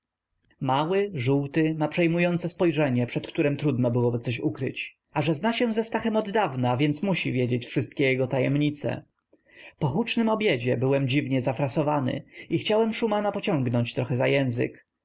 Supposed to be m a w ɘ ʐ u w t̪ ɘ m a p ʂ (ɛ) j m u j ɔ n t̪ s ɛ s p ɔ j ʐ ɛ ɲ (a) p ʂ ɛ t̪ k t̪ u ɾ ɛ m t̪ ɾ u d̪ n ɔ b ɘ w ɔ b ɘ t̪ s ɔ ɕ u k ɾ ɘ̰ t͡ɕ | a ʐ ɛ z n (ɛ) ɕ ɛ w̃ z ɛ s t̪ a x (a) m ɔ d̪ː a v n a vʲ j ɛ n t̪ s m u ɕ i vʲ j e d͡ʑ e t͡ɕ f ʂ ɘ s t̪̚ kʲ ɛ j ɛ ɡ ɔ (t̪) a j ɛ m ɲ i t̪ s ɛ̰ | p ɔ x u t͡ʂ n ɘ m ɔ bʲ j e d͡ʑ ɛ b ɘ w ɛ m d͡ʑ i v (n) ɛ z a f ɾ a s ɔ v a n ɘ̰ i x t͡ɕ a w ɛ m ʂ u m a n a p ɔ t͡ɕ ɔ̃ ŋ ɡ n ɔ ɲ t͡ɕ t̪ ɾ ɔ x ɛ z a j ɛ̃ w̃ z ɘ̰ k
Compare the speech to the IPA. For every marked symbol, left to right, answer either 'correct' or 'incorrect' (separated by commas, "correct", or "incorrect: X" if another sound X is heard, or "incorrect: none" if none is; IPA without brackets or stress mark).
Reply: correct, incorrect: ɛ, incorrect: a, incorrect: ɛ, correct, incorrect: ɲ